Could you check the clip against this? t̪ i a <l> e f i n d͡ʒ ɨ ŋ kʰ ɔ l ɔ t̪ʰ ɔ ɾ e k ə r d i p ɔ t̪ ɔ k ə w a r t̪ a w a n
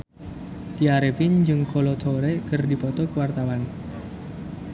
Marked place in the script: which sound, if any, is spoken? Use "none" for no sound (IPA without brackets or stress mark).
ɾ